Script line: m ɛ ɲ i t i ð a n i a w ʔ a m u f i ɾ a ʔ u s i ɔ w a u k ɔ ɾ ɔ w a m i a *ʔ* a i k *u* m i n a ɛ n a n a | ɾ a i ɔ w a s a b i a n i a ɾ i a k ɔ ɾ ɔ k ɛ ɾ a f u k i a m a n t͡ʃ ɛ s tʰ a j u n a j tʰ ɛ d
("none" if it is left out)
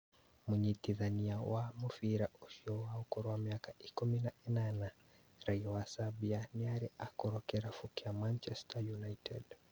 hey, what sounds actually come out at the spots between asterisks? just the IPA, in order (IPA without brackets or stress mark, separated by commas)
k, u